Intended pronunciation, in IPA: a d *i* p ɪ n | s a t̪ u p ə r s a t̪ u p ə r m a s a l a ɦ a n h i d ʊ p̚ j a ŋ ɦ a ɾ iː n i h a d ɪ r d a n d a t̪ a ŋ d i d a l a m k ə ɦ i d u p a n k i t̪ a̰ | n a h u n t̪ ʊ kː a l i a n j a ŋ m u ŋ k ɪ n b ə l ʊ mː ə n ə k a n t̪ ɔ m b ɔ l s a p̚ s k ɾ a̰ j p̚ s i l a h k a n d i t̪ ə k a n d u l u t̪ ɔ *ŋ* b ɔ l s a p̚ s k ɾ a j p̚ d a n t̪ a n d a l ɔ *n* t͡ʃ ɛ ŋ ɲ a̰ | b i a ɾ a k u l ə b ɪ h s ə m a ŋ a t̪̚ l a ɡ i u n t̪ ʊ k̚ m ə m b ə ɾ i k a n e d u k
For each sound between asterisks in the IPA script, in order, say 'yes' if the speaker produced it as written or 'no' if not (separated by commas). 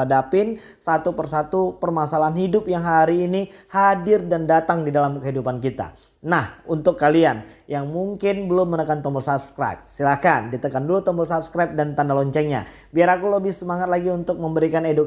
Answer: no, no, no